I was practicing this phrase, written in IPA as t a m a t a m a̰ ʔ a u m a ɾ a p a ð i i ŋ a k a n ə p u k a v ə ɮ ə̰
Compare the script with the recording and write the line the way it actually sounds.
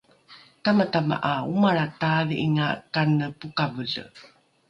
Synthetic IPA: t a m a t a m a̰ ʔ a u m a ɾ a t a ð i i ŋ a k a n ə p u k a v ə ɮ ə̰